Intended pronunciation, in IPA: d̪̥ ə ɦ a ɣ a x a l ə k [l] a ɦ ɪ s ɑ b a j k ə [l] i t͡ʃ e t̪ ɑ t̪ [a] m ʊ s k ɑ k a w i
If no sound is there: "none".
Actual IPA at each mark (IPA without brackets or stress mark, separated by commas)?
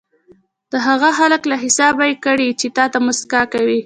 l, ɽ, a